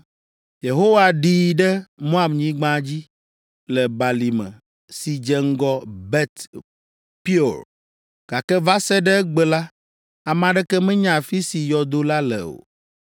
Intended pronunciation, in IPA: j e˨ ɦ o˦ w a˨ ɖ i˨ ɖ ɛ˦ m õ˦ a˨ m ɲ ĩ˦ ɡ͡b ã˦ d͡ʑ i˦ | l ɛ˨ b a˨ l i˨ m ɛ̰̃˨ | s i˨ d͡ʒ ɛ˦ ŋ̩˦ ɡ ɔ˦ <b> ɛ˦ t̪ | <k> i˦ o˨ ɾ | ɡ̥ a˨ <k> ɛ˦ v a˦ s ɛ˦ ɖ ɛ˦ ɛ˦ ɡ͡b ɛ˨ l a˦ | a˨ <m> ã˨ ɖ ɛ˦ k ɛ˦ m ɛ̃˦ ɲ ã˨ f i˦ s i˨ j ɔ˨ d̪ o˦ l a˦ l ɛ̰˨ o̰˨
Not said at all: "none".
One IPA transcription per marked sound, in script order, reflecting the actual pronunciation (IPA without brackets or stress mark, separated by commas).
b, p, k, m